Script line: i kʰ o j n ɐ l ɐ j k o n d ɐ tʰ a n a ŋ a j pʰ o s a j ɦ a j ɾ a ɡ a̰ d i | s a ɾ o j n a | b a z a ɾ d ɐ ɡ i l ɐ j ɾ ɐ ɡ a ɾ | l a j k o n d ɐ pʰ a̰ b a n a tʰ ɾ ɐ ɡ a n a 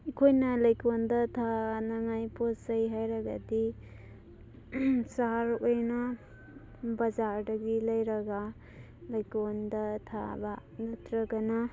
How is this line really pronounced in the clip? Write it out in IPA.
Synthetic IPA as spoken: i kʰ o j n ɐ l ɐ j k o n d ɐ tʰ a n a ŋ a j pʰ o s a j ɦ a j ɾ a ɡ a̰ d i | s a ɾ o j n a | b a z a ɾ d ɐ ɡ i l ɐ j ɾ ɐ ɡ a | l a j k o n d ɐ tʰ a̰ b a n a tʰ ɾ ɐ ɡ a n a